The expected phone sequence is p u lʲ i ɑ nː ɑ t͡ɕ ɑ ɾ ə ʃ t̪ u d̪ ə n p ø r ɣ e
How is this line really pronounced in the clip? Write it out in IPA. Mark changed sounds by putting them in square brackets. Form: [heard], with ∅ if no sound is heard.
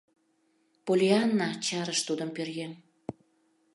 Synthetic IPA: p [o] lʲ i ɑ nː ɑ t͡ɕ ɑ ɾ ə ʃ t̪ u d̪ ə [m] p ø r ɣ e